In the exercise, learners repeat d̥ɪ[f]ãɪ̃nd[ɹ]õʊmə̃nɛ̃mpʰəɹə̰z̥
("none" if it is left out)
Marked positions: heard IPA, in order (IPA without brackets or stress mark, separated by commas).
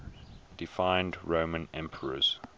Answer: f, ɹ